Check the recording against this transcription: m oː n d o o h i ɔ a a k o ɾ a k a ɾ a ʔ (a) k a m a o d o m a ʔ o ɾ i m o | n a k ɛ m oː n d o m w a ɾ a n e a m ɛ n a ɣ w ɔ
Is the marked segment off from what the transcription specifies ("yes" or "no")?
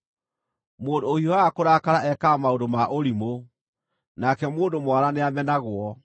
yes